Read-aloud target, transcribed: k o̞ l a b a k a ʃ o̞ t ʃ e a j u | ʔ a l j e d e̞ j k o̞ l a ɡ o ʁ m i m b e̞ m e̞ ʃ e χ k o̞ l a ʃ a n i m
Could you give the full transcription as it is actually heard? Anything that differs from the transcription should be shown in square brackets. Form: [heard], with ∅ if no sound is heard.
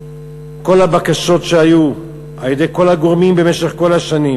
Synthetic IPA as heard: k o̞ l a b a k a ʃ o̞ t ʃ e a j u | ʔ a l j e d e̞ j k o̞ l a ɡ o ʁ m i m b e̞ m e̞ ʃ e χ k o̞ l a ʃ a n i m